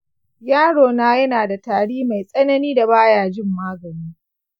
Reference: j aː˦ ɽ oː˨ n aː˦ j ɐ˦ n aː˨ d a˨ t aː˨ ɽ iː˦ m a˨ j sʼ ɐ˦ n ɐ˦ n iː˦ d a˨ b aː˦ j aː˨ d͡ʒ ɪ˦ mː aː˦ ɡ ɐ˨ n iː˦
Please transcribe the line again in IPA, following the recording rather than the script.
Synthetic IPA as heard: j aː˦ ɽ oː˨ n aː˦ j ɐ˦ n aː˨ d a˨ t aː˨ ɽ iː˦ m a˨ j sʼ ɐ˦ n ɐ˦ n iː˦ d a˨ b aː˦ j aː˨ d͡ʒ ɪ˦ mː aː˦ ɡ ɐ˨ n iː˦